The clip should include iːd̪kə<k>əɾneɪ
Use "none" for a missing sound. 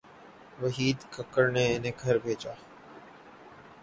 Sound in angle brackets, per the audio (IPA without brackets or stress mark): k